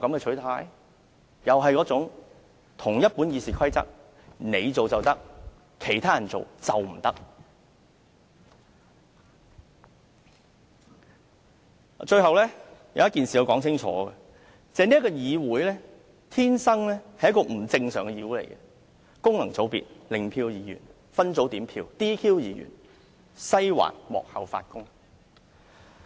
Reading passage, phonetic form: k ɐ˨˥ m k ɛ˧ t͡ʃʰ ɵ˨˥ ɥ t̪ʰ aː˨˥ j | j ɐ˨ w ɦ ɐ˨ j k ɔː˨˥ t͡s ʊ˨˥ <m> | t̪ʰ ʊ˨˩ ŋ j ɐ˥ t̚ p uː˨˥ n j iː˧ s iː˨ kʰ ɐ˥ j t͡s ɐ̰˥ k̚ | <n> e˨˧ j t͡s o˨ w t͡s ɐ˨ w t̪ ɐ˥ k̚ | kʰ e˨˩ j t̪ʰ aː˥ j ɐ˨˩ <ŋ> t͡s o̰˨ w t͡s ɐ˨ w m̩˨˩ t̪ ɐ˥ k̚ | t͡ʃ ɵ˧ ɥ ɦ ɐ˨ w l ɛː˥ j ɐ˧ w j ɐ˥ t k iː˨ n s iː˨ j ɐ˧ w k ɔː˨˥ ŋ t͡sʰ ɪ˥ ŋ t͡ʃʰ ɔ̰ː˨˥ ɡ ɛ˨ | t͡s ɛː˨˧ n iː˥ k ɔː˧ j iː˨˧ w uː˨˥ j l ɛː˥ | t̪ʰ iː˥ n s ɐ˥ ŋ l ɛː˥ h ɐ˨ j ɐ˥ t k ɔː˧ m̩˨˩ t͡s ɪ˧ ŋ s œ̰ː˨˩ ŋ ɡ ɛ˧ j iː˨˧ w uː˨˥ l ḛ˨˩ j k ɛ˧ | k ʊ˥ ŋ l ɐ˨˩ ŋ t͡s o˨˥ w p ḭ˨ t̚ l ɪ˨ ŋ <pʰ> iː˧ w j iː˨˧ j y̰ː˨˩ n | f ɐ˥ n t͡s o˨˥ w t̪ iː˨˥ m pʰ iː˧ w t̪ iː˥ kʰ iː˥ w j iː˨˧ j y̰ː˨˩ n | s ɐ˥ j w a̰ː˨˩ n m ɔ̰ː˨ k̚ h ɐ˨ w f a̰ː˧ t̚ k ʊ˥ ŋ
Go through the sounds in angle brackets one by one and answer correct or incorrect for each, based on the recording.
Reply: incorrect, correct, incorrect, correct

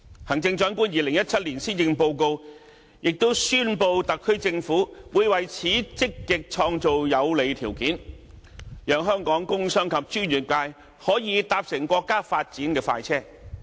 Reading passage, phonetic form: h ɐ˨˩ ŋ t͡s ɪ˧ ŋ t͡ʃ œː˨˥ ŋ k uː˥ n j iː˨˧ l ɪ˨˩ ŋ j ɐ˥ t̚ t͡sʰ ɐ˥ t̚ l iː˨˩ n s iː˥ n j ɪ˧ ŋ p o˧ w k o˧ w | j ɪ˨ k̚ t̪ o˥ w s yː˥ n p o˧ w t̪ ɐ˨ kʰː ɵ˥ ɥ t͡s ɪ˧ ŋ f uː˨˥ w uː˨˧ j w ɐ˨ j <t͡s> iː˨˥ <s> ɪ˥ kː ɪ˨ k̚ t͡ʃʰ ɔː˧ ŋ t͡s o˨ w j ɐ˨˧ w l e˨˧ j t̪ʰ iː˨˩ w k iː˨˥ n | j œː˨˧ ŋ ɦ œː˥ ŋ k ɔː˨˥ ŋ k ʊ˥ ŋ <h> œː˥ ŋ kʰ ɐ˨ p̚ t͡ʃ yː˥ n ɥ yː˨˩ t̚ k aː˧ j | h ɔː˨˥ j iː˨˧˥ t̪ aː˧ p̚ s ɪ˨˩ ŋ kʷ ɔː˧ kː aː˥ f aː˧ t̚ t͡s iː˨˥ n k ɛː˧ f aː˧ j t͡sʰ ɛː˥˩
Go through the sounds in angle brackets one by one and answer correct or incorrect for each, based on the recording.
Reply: incorrect, incorrect, incorrect

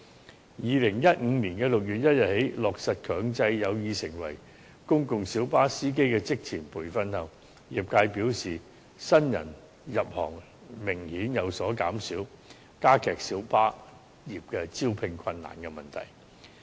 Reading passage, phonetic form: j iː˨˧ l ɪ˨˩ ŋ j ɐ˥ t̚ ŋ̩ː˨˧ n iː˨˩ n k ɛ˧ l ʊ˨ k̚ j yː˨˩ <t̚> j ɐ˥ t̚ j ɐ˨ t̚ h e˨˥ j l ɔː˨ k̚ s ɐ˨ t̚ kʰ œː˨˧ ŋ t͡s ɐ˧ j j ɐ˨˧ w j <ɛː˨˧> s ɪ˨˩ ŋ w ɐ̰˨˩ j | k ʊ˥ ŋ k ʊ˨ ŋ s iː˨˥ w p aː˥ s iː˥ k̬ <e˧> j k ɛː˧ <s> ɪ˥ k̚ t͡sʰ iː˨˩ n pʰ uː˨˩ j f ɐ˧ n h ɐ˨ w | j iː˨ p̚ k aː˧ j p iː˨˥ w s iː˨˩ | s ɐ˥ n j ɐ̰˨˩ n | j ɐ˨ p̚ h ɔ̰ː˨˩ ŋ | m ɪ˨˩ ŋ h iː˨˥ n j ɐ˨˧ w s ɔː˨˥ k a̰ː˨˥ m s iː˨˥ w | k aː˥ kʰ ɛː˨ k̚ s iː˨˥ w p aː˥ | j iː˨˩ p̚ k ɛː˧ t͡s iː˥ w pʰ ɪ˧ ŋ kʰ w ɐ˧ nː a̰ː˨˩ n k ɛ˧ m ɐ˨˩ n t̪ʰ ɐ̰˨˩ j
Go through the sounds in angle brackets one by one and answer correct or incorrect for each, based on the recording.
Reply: correct, incorrect, incorrect, incorrect

